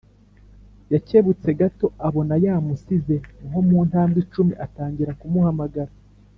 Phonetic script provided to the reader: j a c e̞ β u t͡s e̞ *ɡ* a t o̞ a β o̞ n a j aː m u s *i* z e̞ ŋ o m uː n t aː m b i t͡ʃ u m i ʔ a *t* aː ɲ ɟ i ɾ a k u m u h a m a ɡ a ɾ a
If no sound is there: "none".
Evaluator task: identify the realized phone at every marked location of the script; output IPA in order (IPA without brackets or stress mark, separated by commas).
ɡ, i, t